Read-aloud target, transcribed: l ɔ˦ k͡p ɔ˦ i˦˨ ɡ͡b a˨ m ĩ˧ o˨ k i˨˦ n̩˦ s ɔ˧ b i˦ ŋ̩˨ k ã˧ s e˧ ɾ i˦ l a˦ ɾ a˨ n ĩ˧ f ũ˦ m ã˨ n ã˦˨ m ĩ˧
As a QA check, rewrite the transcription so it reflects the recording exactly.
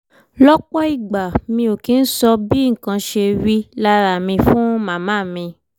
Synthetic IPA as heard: l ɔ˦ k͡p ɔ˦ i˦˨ ɡ͡b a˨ m ĩ˧ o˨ k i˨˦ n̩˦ s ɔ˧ b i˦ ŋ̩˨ k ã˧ ʃ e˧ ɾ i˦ l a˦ ɾ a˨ m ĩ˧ f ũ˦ m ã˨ m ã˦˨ m ĩ˧